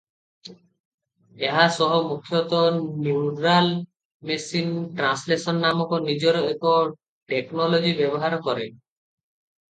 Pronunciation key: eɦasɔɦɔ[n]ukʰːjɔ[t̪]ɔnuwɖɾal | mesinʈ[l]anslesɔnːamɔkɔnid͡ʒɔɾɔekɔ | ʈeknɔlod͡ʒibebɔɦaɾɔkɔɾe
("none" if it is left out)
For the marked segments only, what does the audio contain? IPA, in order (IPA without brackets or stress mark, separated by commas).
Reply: m, t̪, ɾ